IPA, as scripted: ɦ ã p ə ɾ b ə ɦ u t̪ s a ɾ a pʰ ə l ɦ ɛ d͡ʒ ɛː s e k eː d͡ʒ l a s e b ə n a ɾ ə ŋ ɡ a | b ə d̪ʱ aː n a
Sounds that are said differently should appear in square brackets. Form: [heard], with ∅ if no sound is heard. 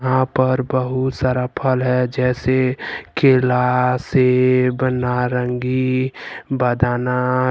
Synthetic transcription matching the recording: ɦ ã p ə ɾ b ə ɦ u t̪ s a ɾ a pʰ ə l ɦ ɛ d͡ʒ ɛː s e k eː [∅] l a s e b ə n a ɾ ə ŋ ɡ [i] | b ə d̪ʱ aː n a